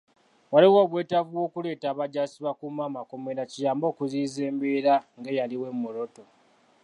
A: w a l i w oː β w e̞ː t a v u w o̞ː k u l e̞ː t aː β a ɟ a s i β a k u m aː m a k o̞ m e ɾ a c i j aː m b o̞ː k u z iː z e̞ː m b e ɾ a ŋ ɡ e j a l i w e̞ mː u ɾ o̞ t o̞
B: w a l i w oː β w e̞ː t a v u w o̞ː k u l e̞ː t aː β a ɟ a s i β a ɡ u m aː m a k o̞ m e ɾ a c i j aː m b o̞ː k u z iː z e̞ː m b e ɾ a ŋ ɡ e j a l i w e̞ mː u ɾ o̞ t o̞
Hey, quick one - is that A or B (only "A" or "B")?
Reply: A